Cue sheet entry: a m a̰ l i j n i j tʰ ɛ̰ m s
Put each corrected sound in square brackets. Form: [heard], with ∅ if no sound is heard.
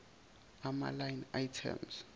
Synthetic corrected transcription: a m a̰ l [a] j n [a] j tʰ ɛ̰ m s